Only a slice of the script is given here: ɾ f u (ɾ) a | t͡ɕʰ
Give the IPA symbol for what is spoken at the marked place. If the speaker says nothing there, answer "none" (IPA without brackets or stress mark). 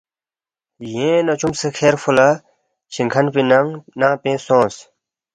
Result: l